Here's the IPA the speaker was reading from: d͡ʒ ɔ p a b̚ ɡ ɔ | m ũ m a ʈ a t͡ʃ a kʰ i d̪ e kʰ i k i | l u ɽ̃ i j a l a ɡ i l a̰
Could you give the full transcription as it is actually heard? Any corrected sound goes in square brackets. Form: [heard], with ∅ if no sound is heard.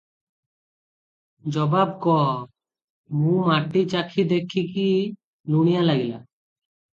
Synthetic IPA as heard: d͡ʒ ɔ [b] a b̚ [k] ɔ | m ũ m a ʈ [i] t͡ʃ a kʰ i d̪ e kʰ i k i | l u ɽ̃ i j a l a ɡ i l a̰

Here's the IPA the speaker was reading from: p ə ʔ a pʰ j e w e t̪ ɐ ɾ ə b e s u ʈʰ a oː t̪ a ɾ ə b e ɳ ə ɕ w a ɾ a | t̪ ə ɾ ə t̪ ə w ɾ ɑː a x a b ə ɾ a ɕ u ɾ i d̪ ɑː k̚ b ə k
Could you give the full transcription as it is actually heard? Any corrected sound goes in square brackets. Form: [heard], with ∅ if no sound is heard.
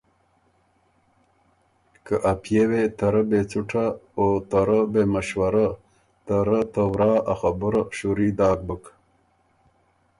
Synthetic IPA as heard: [k] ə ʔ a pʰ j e w e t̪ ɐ ɾ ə b e [t͡s] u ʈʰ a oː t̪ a ɾ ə b e [m] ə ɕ w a ɾ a | t̪ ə ɾ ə t̪ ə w ɾ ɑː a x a b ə ɾ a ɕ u ɾ i d̪ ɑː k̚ b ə k

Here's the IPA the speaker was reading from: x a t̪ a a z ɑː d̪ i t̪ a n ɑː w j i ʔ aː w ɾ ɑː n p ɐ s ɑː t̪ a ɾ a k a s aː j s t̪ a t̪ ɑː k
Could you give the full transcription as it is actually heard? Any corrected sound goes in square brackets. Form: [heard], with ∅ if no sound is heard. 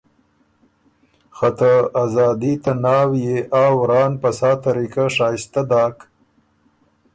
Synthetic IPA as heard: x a t̪ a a z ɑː d̪ i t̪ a n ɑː w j [e] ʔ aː w ɾ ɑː n p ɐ s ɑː t̪ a ɾ [i] k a [ʂ] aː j s t̪ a [d̪] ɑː k

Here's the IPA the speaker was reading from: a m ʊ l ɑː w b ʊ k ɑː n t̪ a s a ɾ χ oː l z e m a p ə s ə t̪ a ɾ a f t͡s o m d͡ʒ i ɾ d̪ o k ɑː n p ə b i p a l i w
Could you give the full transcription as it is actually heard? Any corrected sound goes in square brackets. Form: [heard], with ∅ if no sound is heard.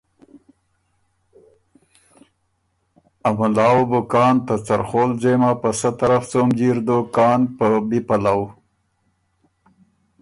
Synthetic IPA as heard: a m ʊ l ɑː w b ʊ k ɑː n t̪ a [t͡s] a ɾ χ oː l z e m a p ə s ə t̪ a ɾ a f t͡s o m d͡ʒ i ɾ d̪ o k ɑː n p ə b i p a l [a] w

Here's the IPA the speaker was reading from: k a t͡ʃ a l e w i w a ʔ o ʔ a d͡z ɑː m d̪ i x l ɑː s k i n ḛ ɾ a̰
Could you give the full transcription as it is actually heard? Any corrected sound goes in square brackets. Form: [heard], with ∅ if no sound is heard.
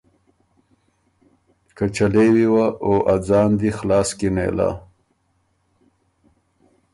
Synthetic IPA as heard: k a t͡ʃ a l e w i w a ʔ o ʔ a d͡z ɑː [n] d̪ i x l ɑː s k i n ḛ [l] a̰

